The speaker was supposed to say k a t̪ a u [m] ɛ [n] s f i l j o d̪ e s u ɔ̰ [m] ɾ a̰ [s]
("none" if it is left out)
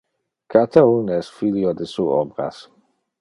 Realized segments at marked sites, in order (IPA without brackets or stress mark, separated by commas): n, none, b, s